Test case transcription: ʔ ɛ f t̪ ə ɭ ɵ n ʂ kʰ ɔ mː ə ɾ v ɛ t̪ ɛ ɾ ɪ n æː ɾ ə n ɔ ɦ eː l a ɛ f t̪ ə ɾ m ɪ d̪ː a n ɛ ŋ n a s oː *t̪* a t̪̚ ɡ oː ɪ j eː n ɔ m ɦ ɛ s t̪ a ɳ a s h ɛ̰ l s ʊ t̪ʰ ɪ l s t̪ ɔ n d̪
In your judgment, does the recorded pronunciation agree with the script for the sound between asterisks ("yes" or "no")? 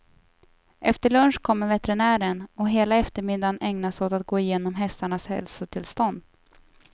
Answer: yes